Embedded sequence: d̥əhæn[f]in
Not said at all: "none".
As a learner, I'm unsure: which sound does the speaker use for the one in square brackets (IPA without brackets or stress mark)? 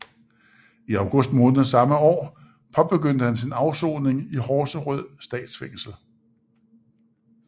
s